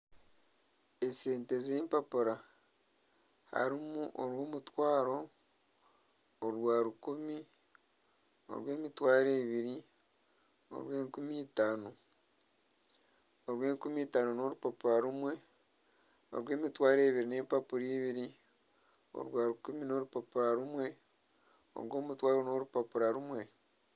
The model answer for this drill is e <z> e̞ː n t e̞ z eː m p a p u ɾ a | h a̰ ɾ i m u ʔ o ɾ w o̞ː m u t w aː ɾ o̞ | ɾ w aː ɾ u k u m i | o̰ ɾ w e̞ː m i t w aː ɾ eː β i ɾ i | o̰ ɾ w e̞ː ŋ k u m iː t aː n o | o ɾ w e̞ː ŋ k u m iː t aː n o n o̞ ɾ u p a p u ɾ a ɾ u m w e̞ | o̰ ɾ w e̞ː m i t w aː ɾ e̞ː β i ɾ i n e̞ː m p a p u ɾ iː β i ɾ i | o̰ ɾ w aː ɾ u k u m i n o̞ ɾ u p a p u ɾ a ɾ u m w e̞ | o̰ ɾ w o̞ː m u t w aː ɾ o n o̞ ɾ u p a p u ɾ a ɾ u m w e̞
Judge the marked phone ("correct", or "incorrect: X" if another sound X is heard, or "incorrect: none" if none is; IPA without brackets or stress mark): incorrect: s